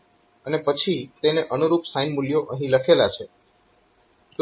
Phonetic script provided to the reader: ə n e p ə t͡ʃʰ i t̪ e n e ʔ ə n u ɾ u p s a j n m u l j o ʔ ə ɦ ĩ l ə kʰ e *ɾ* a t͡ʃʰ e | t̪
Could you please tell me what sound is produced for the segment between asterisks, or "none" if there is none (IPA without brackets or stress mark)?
l